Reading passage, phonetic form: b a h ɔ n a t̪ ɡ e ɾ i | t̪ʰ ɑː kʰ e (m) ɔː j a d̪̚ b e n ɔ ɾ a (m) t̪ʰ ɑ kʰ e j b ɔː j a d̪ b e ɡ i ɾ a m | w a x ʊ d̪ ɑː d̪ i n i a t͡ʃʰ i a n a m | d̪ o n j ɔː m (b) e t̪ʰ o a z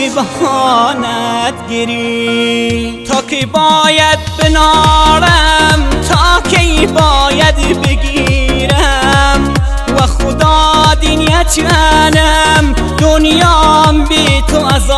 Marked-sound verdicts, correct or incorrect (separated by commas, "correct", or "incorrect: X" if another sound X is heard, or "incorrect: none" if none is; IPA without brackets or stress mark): incorrect: b, correct, correct